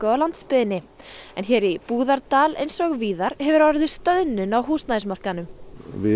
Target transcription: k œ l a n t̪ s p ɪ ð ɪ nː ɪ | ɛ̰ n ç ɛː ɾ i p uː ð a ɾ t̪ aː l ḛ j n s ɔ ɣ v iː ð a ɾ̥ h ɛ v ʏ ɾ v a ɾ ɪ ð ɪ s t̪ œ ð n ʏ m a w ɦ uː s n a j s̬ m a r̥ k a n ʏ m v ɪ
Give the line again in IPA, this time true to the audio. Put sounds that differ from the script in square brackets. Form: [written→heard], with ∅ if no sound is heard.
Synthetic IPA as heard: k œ l a n t̪ s p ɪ ð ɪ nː ɪ | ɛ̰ n ç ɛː ɾ i p uː ð a ɾ t̪ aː l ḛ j n s ɔ ɣ v iː ð a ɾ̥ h ɛ v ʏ ɾ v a ɾ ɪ ð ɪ s t̪ œ ð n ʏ [m→n] a w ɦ uː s n a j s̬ m a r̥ k a n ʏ m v ɪ